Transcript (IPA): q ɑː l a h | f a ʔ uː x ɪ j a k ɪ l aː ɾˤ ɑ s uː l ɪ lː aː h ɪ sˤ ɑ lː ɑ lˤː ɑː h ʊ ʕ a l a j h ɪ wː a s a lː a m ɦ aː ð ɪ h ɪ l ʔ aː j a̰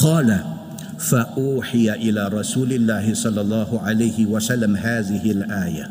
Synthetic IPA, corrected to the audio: q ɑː l a | f a ʔ uː ħ ɪ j a ʔ ɪ l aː ɾˤ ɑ s uː l ɪ lː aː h ɪ sˤ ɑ lː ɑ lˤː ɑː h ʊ ʕ a l a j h ɪ w a s a lː a m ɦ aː ð ɪ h ɪ l ʔ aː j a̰